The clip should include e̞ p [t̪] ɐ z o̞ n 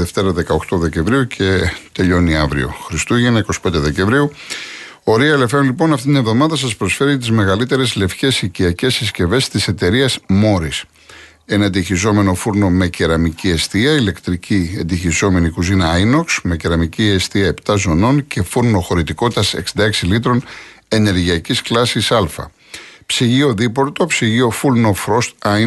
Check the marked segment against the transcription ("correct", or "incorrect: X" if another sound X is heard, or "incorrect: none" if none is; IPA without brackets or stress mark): correct